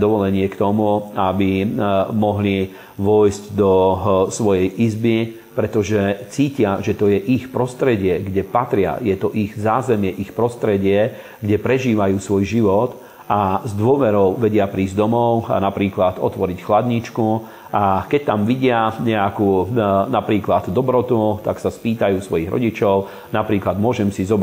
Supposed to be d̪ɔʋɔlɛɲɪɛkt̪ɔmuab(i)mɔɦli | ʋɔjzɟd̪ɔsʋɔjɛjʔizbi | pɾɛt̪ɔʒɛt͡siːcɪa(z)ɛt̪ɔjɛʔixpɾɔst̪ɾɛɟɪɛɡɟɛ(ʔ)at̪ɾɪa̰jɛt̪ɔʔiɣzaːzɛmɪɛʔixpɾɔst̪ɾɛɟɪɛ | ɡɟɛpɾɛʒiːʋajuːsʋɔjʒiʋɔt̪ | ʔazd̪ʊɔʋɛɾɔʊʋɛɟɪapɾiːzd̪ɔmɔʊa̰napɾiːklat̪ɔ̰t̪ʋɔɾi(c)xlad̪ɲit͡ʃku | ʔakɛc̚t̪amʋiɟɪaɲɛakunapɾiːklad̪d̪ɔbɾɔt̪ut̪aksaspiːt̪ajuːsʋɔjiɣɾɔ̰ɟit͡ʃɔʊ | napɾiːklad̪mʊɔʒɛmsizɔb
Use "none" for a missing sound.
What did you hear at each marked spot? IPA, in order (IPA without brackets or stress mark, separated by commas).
i, ʒ, p, c